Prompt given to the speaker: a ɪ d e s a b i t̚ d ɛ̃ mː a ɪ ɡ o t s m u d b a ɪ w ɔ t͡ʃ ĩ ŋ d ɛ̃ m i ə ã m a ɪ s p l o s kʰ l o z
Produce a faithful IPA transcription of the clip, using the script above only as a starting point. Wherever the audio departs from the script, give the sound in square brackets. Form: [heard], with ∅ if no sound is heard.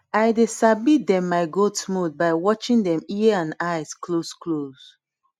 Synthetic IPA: a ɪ d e s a b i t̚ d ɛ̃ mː a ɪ ɡ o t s m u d b a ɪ w ɔ t͡ʃ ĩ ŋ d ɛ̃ m i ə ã [n] a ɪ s [k] l o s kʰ l o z